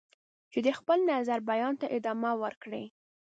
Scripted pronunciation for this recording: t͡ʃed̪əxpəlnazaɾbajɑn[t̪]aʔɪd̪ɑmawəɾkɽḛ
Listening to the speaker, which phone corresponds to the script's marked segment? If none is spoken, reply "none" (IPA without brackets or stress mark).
t̪